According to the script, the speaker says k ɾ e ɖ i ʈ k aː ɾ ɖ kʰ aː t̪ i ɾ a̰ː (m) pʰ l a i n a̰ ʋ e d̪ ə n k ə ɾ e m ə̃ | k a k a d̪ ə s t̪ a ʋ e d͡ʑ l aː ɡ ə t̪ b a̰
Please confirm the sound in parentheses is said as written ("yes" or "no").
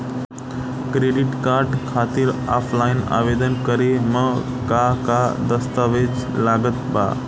no